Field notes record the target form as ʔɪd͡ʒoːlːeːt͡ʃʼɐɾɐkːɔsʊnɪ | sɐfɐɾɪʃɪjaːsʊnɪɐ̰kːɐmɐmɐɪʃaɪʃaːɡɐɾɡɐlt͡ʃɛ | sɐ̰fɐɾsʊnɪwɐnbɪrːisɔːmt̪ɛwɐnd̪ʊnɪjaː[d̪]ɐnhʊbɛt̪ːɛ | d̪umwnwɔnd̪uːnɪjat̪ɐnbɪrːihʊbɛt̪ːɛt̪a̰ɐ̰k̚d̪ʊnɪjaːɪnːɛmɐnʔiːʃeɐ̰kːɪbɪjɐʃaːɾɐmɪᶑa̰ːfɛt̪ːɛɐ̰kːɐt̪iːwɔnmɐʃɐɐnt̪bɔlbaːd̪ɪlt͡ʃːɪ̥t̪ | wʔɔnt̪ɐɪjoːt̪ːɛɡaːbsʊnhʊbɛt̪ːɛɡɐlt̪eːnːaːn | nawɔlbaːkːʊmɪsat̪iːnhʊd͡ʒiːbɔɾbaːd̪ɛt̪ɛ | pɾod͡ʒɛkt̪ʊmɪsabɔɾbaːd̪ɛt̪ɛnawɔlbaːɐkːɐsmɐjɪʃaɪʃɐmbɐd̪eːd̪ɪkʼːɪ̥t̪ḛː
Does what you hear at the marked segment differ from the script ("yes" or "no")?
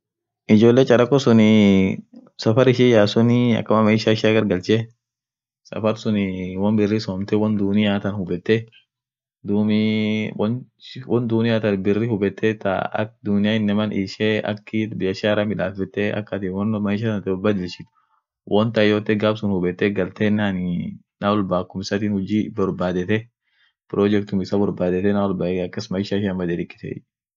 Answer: yes